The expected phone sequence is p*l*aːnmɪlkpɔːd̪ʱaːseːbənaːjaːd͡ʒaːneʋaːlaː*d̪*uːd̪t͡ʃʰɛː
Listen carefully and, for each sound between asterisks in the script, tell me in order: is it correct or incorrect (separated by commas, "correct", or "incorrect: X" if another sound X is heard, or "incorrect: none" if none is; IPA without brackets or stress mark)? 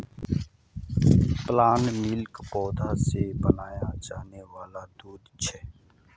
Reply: correct, correct